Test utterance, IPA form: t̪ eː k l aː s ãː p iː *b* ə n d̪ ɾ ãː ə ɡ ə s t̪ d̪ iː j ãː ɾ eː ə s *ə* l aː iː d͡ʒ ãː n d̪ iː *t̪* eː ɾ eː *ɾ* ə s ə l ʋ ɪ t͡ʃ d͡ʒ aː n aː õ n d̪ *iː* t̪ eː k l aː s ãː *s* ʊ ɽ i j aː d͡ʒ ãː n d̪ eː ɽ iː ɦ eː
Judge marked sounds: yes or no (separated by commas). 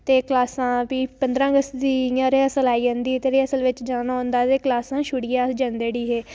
no, yes, yes, no, no, no